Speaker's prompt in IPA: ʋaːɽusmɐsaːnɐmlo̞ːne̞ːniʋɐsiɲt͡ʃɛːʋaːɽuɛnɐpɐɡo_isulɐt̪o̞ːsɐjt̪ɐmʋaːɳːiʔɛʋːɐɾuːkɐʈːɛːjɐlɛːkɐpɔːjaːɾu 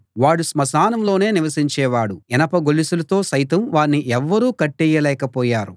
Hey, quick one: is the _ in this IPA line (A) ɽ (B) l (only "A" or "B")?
B